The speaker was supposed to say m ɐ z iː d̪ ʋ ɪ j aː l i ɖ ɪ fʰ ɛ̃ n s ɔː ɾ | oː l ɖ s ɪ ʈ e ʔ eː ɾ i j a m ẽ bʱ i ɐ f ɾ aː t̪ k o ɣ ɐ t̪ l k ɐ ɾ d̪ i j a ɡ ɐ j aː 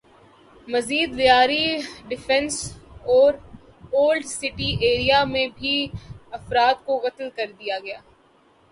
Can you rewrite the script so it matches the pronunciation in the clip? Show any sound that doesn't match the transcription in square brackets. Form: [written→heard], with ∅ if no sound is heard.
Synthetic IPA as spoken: m ɐ z iː d̪ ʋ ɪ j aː [l→ɾ] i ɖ ɪ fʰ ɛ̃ n s ɔː ɾ | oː l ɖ s ɪ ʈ [e→i] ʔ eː ɾ i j a m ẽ bʱ i ɐ f ɾ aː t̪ k o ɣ ɐ t̪ l k ɐ ɾ d̪ i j a ɡ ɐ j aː